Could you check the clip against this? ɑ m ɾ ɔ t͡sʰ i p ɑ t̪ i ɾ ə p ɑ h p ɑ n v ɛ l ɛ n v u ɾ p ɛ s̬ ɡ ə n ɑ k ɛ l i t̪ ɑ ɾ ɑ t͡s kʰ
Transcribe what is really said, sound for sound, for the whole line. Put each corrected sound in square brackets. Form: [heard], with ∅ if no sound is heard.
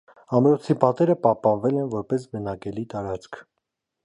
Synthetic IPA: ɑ m ɾ ɔ t͡sʰ i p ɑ t̪ [ɛ] ɾ ə p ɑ h p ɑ n v ɛ l ɛ n v [ɔ] ɾ p ɛ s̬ [b] ə n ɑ k ɛ l i t̪ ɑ ɾ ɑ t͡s kʰ